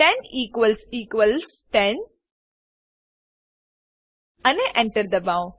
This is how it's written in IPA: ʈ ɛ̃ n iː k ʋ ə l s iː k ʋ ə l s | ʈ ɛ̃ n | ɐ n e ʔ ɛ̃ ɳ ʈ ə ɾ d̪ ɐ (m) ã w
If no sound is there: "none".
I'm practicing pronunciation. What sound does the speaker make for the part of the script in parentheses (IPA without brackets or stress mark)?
b